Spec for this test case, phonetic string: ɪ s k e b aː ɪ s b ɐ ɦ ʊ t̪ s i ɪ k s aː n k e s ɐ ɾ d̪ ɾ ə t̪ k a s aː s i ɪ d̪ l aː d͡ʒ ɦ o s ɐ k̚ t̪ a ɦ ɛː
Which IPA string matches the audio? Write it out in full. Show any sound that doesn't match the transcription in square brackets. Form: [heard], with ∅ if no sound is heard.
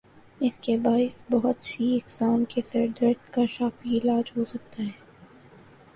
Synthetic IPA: ɪ s k e b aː ɪ s b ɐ ɦ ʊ t̪ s i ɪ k s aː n k e s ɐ ɾ d̪ ɾ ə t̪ k a [ʃ] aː [f] i ɪ [∅] l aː d͡ʒ ɦ o s ɐ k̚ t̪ a ɦ ɛː